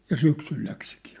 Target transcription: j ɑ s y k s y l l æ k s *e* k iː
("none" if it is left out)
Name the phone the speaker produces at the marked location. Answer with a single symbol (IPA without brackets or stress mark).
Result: i